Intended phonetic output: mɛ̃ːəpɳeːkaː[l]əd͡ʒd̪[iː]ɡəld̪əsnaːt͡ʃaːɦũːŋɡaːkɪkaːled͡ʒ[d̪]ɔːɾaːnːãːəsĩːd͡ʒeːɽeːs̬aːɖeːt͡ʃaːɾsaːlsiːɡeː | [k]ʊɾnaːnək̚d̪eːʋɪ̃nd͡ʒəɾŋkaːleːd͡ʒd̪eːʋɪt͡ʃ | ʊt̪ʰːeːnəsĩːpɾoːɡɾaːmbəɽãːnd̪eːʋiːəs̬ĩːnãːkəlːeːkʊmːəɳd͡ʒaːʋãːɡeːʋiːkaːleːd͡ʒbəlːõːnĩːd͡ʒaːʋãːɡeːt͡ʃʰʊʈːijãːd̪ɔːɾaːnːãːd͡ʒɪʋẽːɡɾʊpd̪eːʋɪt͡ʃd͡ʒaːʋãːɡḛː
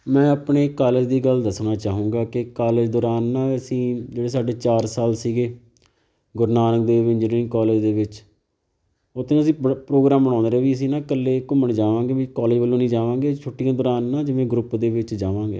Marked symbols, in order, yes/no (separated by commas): yes, yes, yes, no